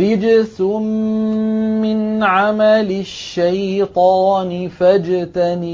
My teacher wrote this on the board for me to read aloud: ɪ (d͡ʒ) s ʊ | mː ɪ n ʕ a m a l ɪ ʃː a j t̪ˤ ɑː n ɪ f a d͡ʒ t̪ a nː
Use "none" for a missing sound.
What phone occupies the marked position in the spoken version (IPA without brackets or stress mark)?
d͡ʒ